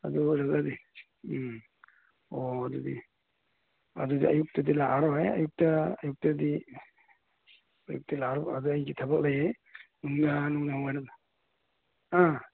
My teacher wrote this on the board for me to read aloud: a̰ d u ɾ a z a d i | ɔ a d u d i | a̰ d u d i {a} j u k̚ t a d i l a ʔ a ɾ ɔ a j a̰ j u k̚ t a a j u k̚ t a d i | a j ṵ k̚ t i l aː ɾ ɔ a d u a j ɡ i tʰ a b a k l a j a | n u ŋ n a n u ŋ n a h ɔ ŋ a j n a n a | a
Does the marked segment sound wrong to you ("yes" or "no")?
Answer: no